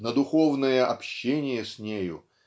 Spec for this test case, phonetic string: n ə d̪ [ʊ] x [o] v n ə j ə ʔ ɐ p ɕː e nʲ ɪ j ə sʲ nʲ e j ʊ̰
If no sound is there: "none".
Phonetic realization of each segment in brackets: ʊ, o

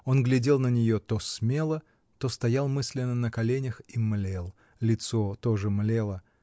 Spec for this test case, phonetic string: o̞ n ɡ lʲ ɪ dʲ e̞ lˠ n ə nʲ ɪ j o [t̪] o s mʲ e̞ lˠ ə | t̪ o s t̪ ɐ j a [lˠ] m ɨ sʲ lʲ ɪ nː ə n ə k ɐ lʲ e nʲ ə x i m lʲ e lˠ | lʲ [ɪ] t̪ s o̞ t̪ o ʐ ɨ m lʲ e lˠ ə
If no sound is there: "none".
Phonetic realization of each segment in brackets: t̪, lˠ, ɪ

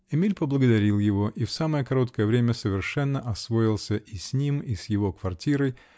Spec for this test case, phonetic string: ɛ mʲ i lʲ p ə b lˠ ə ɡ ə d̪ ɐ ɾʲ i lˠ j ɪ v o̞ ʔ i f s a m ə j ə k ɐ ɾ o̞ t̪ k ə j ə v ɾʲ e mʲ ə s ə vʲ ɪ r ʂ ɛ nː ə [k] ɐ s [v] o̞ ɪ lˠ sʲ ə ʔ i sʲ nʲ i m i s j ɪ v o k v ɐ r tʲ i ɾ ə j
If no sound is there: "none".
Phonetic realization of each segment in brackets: ʔ, v

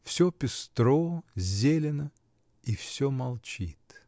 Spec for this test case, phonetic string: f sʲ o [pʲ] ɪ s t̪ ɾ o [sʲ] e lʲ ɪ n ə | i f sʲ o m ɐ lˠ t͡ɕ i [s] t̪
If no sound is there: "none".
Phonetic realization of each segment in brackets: pʲ, zʲ, none

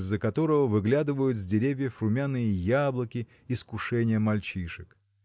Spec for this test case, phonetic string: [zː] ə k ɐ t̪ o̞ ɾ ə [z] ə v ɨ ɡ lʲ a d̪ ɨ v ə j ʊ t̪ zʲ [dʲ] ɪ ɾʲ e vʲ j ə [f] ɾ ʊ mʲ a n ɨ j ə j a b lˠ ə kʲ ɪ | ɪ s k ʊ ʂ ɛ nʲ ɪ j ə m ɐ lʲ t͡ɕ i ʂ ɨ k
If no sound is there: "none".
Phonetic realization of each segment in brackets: zː, v, dʲ, f

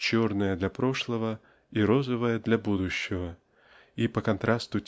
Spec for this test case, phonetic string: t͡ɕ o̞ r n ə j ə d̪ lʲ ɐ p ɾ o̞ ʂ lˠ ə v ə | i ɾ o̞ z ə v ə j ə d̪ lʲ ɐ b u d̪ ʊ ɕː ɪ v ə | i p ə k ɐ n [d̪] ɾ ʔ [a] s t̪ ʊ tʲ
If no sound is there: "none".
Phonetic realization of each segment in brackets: t̪, a

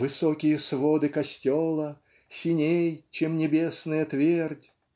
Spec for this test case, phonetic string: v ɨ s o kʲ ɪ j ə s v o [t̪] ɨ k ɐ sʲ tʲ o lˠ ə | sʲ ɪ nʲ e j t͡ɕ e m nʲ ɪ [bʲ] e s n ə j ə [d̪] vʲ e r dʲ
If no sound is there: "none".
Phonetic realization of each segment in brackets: d̪, bʲ, t̪

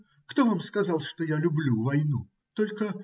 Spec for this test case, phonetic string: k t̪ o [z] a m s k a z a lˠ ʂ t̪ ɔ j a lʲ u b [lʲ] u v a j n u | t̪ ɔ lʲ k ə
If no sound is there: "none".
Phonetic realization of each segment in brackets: v, lʲ

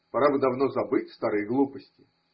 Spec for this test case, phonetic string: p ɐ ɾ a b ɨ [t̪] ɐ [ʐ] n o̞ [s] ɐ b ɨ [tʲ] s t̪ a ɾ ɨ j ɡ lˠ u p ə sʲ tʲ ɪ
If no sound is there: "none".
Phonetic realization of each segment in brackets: d̪, v, z, tʲ

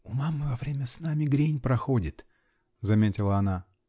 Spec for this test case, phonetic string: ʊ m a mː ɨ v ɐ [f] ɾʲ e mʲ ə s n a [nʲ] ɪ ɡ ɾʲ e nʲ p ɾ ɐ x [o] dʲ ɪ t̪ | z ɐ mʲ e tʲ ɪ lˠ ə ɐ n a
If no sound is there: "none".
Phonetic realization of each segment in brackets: v, mʲ, o

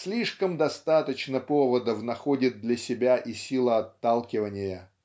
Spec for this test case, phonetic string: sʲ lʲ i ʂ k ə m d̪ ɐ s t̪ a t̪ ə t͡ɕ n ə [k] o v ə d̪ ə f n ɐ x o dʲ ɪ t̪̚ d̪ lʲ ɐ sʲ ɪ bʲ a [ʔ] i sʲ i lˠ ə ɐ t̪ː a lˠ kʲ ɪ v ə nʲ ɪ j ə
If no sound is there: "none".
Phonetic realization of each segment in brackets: p, ʔ

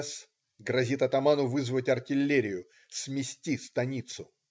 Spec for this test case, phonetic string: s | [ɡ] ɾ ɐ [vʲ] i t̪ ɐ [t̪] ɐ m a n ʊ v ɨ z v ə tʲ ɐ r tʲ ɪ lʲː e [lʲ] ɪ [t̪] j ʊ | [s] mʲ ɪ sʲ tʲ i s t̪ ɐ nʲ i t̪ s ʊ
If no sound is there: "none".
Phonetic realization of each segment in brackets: ɡ, zʲ, t̪, ɾʲ, none, s

